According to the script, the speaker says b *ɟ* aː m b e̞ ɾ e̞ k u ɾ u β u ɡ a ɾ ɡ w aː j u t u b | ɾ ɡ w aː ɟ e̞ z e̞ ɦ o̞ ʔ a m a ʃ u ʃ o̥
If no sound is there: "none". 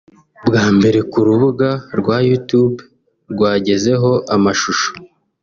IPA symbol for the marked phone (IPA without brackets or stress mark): ɡ